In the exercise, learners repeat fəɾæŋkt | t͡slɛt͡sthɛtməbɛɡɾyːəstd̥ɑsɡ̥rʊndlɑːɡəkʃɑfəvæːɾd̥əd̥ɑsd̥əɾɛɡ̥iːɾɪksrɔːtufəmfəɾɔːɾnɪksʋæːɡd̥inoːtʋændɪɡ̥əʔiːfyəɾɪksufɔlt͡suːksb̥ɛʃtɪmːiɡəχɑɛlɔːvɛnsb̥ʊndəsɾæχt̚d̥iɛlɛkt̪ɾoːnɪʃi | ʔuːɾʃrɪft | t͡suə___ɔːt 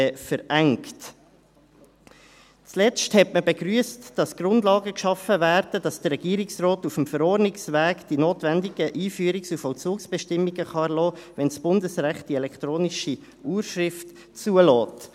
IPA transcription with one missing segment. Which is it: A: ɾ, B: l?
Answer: B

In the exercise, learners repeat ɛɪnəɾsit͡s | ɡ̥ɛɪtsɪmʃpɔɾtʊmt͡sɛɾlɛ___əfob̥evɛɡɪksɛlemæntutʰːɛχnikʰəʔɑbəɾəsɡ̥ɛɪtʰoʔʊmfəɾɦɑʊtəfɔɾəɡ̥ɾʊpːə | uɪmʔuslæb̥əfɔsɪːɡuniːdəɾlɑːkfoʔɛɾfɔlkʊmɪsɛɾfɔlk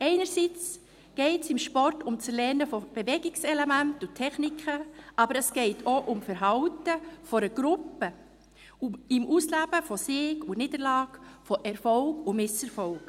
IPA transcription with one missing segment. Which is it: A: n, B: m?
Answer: A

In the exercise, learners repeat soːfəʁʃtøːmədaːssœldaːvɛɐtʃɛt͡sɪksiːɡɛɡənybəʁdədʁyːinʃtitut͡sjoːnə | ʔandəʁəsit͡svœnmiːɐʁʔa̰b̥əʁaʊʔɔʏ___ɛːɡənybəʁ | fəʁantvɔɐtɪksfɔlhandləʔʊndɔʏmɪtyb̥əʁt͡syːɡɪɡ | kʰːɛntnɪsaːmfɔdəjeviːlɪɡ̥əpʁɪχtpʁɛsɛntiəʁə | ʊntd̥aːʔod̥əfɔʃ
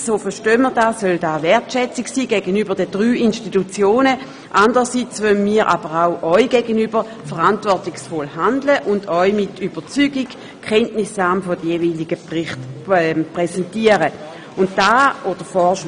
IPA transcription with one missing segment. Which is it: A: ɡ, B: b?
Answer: A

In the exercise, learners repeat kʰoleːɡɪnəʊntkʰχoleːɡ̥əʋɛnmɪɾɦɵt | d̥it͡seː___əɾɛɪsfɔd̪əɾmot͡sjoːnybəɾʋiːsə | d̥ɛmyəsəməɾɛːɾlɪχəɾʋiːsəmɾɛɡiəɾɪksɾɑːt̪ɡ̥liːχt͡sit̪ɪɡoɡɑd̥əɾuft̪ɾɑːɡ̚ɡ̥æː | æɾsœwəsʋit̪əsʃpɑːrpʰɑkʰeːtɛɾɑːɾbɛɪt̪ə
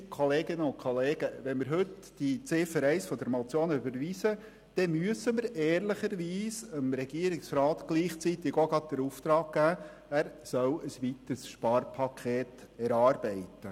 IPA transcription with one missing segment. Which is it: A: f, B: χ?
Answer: A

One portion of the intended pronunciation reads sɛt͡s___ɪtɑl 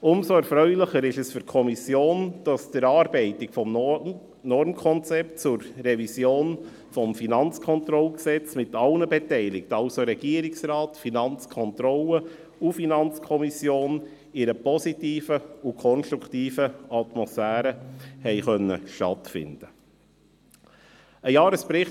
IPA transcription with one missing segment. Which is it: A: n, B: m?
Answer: B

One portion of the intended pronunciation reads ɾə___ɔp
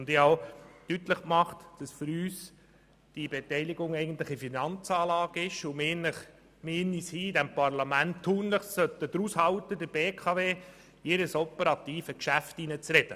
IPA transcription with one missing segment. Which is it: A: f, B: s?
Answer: B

